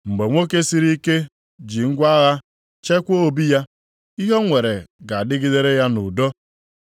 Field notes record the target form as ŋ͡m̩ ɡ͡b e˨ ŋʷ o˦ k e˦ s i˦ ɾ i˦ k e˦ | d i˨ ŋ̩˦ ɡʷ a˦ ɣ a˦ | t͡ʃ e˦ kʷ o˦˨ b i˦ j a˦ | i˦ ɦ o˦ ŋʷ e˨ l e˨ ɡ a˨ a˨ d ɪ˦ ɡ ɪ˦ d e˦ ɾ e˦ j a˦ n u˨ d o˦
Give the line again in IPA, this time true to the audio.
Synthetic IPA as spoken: ŋ͡m̩ ɡ͡b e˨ ŋʷ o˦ k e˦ s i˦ ɾ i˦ k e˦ | d͡ʒ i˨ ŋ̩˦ ɡʷ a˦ ɣ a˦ | t͡ʃ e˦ kʷ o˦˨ b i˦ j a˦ | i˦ ɦ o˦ ŋʷ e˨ ɾ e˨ ɡ a˨ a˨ d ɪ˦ ɡ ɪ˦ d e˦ ɾ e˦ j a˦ n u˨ d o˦